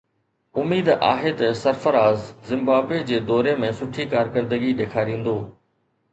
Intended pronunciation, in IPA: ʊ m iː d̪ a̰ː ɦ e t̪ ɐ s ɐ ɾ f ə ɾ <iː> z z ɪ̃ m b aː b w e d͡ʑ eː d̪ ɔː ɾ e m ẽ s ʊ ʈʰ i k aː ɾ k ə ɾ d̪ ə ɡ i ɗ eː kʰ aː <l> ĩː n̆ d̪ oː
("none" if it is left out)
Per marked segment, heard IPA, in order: aː, ɾ

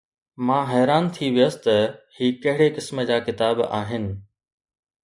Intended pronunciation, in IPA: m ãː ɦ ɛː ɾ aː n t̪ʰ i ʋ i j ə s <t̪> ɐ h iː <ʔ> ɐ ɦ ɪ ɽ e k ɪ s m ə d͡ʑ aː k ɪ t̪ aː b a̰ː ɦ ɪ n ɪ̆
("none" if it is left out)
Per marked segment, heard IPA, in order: t̪, k

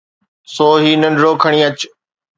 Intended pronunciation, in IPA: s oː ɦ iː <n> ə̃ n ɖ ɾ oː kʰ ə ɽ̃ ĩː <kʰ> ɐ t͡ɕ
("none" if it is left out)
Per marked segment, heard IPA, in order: n, none

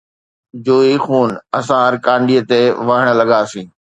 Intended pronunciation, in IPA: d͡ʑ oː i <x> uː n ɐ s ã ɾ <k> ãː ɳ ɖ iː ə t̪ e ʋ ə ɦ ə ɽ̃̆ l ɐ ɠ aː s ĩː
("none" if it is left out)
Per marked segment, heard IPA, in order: x, k

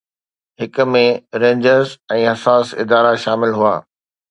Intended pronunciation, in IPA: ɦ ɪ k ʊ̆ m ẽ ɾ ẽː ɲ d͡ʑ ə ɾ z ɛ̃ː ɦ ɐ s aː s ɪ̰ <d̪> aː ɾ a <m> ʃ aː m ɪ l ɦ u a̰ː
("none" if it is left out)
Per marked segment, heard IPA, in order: d̪, none

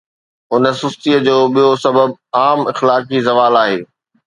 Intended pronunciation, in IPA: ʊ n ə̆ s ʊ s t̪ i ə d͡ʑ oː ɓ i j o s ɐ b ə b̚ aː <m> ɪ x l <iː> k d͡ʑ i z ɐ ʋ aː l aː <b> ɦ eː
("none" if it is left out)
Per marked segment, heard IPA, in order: m, aː, none

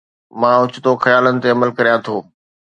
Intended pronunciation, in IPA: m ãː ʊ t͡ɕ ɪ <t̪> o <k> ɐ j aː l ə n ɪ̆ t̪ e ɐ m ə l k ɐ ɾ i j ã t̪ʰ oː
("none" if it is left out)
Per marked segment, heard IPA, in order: t̪, x

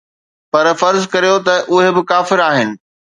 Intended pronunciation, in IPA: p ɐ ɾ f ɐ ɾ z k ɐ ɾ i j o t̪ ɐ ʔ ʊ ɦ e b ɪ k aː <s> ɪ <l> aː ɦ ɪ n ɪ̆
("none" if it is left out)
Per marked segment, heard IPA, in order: f, ɾ

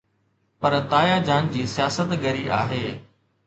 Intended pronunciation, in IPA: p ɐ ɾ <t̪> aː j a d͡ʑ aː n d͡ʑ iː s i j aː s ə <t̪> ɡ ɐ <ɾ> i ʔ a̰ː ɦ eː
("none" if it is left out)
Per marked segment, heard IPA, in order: t̪, t̪, ɾ

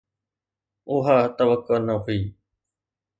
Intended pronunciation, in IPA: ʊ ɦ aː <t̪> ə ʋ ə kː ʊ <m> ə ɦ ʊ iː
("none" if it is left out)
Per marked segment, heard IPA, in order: t̪, n

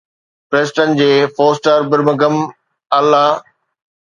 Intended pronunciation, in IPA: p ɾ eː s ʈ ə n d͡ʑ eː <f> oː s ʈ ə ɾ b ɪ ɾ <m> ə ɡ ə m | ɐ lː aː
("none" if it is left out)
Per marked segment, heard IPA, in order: f, m

